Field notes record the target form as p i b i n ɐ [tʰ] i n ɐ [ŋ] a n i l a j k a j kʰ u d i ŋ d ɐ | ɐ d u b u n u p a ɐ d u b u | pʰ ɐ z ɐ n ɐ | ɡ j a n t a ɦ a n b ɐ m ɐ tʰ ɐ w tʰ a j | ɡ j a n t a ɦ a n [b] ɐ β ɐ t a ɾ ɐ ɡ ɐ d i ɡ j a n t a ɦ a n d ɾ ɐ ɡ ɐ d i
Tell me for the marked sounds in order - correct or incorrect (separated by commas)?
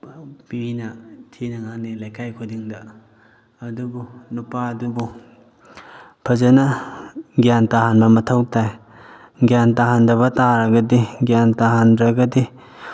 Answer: correct, correct, incorrect